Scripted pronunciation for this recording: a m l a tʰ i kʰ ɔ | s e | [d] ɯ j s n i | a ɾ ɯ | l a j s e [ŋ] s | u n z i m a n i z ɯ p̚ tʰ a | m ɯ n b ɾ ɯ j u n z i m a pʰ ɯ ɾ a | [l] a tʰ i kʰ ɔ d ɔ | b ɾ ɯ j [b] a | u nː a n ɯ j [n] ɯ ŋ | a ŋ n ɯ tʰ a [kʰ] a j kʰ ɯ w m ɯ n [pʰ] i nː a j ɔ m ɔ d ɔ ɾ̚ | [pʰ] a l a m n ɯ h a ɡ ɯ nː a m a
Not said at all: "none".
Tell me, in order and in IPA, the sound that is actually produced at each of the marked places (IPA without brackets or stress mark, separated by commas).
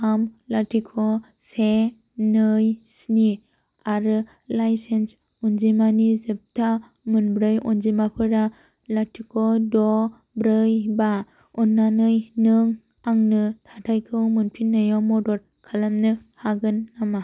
n, n, l, b, n, tʰ, pʰ, kʰ